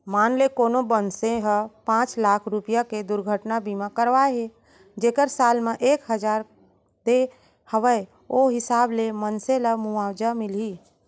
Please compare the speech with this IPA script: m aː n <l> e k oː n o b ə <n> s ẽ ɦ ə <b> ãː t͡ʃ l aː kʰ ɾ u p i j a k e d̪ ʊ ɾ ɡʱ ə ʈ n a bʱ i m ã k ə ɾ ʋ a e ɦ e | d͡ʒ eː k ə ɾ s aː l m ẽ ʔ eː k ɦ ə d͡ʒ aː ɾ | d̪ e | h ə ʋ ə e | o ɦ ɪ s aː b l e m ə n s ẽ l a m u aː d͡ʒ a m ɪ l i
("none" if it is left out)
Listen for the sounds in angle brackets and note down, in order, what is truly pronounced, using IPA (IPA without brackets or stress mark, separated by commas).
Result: l, n, p